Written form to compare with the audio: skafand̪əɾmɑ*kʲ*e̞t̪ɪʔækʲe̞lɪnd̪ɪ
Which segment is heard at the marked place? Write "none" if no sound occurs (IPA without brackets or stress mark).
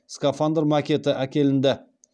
kʲ